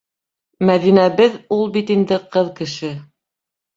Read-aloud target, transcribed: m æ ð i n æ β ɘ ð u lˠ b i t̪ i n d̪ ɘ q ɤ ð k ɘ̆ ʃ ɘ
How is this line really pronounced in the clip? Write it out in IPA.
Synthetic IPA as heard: m æ ð i n æ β ɘ ð u lˠ b i t̪ i n d̪ ɘ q ɤ ð k ɘ̆ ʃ ɘ